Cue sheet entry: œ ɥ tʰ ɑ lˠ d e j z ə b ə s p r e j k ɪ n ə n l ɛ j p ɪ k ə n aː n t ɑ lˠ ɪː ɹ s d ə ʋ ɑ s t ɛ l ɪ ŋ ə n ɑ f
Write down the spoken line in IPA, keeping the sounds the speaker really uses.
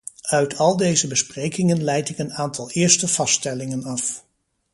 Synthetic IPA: œ ɥ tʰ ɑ lˠ d e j z ə b ə s p r e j k ɪ ŋ ə n l ɛ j t ɪ k ə n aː n t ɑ lˠ ɪː ɹ s t ə v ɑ s t ɛ l ɪ ŋ ə n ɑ f